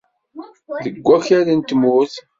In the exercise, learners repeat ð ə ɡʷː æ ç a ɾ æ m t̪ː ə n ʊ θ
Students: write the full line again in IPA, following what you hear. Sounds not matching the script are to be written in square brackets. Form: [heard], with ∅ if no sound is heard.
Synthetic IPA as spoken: ð ə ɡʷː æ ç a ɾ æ [n] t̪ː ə [m] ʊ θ